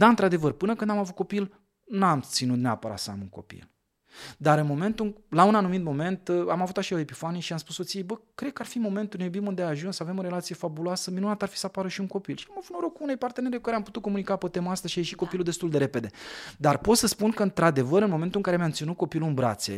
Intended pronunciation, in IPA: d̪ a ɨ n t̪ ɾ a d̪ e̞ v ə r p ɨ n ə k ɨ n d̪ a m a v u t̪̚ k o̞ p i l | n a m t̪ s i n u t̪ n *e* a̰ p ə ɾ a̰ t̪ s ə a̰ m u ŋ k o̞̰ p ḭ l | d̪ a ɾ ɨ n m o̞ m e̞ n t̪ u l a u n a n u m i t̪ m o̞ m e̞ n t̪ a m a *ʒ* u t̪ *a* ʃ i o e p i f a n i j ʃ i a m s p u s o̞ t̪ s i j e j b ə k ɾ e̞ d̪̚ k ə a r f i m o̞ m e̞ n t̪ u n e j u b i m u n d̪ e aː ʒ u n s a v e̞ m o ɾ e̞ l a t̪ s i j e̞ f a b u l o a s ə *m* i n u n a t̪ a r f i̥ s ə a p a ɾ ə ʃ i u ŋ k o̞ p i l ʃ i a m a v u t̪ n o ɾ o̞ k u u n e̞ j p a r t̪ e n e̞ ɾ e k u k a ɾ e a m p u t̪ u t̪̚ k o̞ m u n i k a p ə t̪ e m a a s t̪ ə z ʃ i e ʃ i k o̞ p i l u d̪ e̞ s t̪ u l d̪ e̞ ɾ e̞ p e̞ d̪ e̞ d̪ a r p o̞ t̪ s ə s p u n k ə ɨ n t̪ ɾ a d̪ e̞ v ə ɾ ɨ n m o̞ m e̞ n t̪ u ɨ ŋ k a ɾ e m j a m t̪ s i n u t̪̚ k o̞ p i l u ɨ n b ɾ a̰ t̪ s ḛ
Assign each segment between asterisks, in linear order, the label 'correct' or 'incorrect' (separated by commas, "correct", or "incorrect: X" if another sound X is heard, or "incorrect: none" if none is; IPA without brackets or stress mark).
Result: correct, incorrect: v, correct, correct